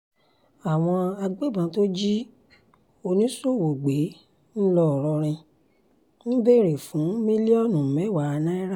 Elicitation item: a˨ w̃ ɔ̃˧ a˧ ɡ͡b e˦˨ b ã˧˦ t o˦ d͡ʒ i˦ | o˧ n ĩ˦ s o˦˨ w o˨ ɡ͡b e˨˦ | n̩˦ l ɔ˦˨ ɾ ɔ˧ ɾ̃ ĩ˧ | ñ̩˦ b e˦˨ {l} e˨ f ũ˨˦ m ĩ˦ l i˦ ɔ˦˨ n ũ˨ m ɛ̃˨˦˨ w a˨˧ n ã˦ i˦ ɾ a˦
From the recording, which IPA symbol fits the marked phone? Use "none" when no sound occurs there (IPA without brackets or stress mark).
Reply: ɾ